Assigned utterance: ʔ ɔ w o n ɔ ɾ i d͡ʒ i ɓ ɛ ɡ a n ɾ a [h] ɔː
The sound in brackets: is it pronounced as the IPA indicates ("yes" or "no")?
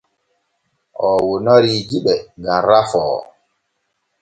no